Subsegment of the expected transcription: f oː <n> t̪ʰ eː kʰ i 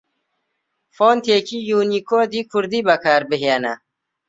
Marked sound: correct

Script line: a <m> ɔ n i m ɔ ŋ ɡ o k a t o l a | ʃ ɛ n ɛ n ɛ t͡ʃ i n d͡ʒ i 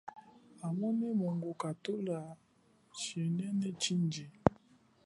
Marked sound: correct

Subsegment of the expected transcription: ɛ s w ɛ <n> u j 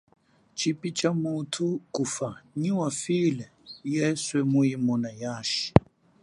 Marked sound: incorrect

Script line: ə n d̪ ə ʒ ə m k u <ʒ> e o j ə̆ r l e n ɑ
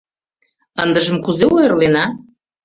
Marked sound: incorrect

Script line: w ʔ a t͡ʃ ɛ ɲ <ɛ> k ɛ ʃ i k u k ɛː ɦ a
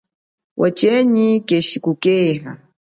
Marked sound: incorrect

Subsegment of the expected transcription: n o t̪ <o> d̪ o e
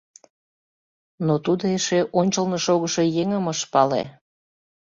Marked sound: incorrect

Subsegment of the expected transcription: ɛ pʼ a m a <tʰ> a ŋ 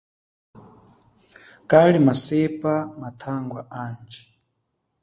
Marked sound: correct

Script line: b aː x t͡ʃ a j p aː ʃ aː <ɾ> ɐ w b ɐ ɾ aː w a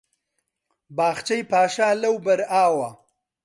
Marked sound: incorrect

